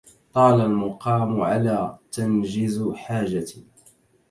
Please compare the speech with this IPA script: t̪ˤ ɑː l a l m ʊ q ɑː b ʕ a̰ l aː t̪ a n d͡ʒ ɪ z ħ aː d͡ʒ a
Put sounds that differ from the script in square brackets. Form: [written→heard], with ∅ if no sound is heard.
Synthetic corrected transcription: t̪ˤ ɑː l a l m ʊ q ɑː [b→m] ʕ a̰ l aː t̪ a n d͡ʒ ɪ z ħ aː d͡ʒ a